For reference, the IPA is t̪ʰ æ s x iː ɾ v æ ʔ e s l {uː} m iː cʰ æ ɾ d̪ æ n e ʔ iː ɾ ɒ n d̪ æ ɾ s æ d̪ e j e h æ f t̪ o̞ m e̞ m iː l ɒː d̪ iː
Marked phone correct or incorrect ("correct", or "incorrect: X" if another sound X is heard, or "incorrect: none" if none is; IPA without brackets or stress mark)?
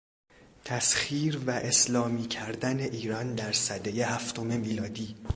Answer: incorrect: ɒː